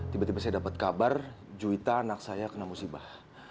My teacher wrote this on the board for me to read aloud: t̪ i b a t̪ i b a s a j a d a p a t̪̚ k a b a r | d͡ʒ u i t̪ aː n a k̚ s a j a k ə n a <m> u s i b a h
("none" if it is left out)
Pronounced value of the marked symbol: m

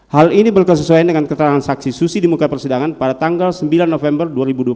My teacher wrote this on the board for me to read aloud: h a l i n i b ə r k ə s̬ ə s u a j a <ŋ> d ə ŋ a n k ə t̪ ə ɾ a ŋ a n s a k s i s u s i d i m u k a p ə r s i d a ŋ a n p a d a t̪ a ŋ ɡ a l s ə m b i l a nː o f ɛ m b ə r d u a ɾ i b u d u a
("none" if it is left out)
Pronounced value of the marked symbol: n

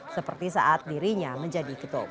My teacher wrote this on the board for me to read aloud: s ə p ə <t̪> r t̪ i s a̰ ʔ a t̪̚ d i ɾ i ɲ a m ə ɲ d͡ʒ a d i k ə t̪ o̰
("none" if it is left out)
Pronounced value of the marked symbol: none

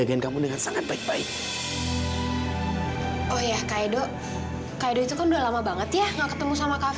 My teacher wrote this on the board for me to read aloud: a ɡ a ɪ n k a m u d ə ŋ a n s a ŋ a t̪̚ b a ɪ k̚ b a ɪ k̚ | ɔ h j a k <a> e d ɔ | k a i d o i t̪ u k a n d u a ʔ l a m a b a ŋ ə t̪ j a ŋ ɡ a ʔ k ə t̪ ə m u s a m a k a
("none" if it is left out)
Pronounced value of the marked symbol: a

